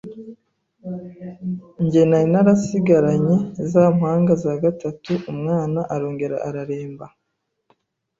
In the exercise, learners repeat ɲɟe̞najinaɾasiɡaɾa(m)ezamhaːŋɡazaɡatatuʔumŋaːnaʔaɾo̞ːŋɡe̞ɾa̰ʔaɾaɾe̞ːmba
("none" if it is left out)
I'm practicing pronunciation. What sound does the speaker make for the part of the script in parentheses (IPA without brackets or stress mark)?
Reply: ɲ